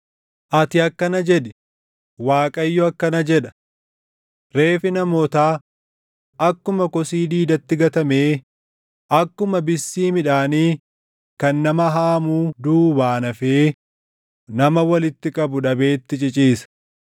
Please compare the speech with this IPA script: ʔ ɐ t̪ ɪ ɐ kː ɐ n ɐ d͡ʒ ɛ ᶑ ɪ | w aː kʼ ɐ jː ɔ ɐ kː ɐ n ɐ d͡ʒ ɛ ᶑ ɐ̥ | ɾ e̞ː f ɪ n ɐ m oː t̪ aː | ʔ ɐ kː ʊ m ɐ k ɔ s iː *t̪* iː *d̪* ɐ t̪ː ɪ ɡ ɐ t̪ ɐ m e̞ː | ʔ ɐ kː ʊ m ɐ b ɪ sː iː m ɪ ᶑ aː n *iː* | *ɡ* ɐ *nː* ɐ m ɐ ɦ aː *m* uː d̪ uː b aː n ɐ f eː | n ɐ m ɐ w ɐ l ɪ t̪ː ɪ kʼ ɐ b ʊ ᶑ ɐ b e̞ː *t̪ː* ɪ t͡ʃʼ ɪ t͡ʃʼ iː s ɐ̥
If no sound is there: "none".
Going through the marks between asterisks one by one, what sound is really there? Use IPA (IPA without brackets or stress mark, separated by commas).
d̪, d̪, iː, k, nː, m, t̪ː